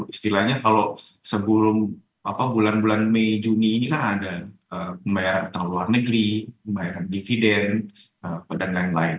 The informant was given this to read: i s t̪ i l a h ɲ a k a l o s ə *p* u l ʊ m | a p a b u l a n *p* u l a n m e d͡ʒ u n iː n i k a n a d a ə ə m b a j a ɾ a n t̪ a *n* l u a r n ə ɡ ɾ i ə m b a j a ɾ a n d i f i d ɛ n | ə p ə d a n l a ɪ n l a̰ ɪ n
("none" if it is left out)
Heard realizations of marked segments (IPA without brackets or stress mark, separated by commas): b, b, ŋ